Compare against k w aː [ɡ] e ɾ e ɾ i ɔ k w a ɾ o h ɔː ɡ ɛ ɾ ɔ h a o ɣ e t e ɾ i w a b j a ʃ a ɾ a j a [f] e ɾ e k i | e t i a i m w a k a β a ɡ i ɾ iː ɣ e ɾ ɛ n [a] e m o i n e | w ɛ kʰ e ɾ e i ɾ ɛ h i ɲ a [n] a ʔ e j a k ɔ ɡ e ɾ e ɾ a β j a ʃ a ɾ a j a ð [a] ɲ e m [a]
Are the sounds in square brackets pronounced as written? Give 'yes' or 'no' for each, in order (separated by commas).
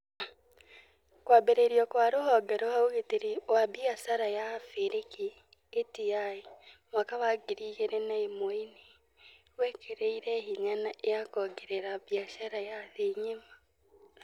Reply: no, yes, yes, yes, no, yes